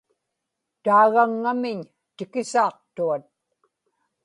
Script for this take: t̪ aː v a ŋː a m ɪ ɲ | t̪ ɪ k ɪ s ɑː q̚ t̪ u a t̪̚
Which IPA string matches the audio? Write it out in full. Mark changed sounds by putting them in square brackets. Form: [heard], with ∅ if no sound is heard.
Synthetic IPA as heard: t̪ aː [ɣ] a ŋː a m ɪ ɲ | t̪ ɪ k ɪ s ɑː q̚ t̪ u a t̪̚